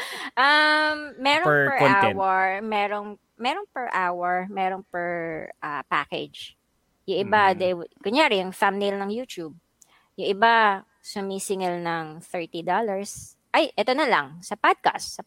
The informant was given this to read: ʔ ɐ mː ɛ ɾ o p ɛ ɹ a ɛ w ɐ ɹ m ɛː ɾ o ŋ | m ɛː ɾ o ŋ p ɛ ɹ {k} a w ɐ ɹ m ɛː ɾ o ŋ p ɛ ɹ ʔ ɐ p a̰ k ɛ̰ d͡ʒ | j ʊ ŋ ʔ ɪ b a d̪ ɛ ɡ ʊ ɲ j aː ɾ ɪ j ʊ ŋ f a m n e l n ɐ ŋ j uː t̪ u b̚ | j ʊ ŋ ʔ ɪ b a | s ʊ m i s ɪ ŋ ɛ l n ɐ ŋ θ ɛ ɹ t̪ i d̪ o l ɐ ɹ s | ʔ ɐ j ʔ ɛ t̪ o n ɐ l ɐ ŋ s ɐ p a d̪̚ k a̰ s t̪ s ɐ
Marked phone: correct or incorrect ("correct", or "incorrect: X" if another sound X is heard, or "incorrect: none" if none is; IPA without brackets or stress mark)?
incorrect: ʔ